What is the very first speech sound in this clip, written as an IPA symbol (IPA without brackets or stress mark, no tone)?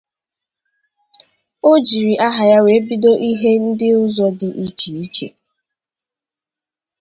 o